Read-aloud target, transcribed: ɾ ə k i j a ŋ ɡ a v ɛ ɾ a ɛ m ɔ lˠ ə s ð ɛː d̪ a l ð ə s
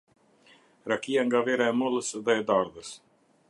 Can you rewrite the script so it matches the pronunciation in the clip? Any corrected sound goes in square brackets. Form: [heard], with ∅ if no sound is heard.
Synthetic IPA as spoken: ɾ [a] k i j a ŋ ɡ a v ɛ ɾ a ɛ m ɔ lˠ ə s ð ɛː d̪ a [ɾ] ð ə s

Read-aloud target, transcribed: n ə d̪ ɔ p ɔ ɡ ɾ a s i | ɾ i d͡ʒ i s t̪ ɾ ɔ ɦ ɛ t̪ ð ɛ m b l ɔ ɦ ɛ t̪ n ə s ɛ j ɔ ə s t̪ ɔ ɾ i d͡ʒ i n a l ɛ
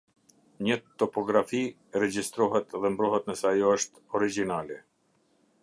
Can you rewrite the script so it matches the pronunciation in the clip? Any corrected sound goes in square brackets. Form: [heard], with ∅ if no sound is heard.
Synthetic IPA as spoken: [ɲ] ə [t̪] ɔ p ɔ ɡ ɾ a [f] i | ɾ [ɛ] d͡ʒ i s t̪ ɾ ɔ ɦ ɛ t̪ ð ɛ m b [ɾ] ɔ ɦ ɛ t̪ n ə s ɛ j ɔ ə [ʃ] t̪ ɔ ɾ i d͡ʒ i n a l ɛ

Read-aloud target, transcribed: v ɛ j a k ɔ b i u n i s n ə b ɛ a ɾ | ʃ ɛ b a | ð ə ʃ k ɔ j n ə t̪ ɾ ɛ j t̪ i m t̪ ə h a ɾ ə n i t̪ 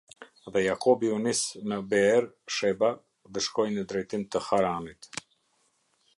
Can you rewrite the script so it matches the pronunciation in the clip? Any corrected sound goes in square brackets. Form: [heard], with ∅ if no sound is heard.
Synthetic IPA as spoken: [ð] ɛ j a k ɔ b i u n i s n ə b ɛ [ɛ] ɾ | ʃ ɛ b a | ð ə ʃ k ɔ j n ə [d̪] ɾ ɛ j t̪ i m t̪ ə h a ɾ [a] n i t̪

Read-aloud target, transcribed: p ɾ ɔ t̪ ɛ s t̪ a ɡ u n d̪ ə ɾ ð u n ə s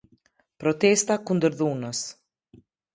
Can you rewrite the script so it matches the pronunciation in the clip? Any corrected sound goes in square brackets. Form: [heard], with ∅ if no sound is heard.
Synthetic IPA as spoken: p ɾ ɔ t̪ ɛ s t̪ a [k] u n d̪ ə ɾ ð u n ə s

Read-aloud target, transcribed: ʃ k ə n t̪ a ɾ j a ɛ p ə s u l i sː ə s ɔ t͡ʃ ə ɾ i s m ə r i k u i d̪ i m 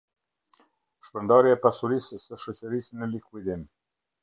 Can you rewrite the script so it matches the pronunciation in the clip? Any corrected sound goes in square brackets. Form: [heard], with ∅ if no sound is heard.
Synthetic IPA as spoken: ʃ [p] ə n [d̪] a ɾ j a ɛ p [a] s u [ɾ] i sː ə [ʃ] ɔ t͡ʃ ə ɾ i s [n] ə [l] i k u i d̪ i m

